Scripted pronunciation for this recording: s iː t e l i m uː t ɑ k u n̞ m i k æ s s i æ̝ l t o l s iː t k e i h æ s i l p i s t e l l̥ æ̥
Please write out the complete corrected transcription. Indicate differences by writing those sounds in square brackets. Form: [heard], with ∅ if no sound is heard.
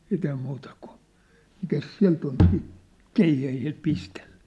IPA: s iː t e [∅] i m uː t ɑ k u n̞ m i k æ s s i æ̝ l t o l s iː t k e i h æ [h] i l p i s t e l l̥ æ̥

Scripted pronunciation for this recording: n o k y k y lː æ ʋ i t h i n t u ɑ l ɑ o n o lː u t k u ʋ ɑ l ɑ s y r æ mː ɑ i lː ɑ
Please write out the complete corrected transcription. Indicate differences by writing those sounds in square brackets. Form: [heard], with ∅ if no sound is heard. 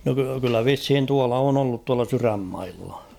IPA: n o k y k y lː æ ʋ i [s] h i n t u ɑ l ɑ o n o lː u t [t] u [∅] ɑ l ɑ s y r æ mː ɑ i lː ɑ

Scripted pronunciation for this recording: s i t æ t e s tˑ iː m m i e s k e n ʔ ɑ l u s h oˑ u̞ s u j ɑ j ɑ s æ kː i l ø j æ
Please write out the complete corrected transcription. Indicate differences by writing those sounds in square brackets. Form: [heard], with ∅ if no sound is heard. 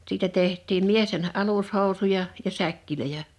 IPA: s [iː] t æ t e [h] tˑ iː m m i e s [t] e n ʔ ɑ l u s h oˑ u̞ s u j ɑ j ɑ s æ kː i l ø j æ

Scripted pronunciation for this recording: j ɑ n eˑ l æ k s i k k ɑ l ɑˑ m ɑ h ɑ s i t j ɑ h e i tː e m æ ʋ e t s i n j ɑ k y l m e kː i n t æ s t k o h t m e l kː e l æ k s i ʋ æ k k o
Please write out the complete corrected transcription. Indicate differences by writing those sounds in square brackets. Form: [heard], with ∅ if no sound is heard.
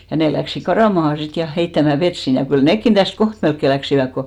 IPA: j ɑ n eˑ l æ k s i k k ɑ [r] ɑˑ m ɑ h ɑ s i t j ɑ h e i tː [æ] m æ ʋ e t s i n j ɑ k y l [n] e kː i n t æ s t k o h t m e l kː e l æ k s i ʋ æ k k o

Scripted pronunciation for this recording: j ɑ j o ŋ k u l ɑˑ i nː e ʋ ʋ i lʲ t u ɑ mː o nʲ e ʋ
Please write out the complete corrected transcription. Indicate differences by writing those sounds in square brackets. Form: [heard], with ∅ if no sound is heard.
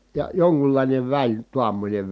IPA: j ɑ j o ŋ k u [lː] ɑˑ i [n] e ʋ ʋ [æ] lʲ t u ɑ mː o nʲ e ʋ

